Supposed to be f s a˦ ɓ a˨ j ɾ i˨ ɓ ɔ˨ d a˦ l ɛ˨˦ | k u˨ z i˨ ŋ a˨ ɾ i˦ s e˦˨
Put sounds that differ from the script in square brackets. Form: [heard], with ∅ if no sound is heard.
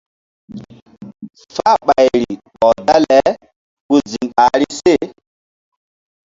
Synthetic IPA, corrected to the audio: f [f] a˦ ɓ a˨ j ɾ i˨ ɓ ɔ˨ d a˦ l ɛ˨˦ | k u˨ z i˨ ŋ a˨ ɾ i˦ s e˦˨